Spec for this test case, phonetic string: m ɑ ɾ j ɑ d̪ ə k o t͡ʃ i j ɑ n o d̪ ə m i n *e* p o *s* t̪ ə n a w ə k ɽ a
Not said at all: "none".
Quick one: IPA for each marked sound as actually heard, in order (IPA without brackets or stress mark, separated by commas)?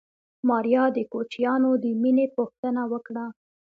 e, x